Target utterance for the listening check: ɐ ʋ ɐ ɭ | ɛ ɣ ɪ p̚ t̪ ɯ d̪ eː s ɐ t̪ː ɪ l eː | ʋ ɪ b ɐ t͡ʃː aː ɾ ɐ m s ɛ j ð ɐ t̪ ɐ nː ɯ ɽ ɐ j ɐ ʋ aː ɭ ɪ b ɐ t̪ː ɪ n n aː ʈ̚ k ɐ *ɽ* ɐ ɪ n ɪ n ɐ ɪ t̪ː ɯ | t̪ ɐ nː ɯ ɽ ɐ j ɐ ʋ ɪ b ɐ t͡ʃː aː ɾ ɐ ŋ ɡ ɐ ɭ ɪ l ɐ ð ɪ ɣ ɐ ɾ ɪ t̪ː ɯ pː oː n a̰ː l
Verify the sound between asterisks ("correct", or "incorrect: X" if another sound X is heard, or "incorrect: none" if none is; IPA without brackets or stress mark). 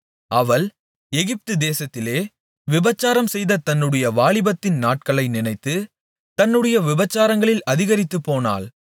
incorrect: ɭ